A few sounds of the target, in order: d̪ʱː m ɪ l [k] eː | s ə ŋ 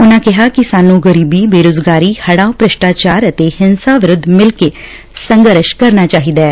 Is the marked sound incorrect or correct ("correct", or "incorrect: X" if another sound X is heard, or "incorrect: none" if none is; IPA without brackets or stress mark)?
correct